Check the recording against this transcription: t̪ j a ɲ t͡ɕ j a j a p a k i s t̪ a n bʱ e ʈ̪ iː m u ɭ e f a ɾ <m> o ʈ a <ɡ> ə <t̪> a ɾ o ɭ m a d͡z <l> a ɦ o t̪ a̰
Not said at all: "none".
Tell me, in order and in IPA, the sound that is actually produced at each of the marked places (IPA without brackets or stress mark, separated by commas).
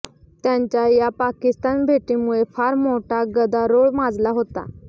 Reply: m, ɡ, d̪, l